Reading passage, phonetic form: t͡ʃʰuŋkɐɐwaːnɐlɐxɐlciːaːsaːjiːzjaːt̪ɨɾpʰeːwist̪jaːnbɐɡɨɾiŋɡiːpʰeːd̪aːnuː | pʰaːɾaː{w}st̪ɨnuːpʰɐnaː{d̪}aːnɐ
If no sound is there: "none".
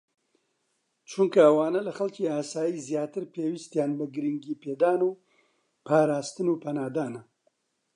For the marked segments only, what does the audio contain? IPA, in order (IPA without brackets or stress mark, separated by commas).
none, d̪